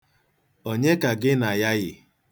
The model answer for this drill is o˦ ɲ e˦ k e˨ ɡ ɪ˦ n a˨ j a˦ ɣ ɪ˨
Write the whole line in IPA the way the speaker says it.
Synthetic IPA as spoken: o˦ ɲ e˦ k a˨ ɡ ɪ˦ n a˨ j a˦ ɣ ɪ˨